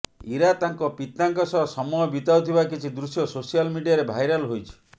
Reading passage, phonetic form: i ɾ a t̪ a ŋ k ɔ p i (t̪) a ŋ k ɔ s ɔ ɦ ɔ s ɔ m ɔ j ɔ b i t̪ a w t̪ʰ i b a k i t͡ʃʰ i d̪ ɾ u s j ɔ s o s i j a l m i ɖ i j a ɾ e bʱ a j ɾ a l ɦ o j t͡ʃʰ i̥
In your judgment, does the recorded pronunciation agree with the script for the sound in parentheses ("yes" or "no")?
yes